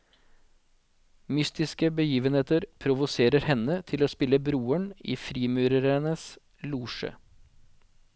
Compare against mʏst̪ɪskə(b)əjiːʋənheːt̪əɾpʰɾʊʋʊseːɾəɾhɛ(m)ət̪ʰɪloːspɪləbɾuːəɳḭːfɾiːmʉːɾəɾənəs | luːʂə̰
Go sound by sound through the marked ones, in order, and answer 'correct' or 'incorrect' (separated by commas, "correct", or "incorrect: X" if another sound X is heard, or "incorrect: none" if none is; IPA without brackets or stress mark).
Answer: correct, incorrect: n